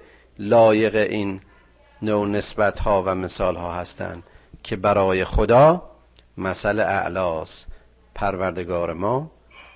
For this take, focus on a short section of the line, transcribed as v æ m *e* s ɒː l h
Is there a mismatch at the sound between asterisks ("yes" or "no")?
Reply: no